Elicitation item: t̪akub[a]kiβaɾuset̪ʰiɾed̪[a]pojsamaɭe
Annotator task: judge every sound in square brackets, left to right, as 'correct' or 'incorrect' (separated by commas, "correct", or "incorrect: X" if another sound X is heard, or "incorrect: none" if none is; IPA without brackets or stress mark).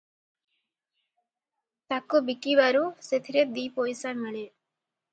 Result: incorrect: i, incorrect: i